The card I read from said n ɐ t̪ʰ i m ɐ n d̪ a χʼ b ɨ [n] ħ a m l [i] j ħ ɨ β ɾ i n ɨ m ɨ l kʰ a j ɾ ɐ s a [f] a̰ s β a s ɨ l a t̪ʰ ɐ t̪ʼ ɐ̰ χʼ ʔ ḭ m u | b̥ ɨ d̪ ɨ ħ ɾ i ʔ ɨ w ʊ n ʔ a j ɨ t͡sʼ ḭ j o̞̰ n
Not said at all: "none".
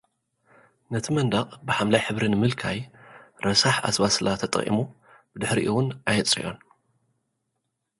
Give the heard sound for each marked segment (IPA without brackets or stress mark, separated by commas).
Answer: none, a, ħ